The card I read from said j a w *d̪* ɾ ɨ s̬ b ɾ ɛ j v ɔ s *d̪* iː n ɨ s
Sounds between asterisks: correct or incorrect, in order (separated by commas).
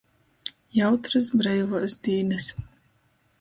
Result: incorrect, correct